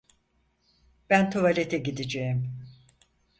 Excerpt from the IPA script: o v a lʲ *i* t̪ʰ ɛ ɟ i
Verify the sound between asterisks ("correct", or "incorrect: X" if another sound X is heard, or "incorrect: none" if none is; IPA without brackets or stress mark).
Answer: incorrect: e